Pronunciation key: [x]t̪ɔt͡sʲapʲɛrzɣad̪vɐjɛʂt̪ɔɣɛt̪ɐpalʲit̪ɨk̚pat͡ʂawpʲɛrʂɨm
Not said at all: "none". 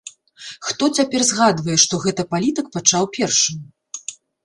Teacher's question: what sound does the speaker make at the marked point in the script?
x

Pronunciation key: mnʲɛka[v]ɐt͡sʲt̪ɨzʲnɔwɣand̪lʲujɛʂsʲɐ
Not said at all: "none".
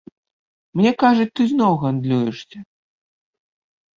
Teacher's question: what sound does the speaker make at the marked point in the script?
ʐ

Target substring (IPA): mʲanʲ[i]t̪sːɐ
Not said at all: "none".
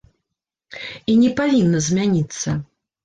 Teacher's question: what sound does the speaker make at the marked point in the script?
i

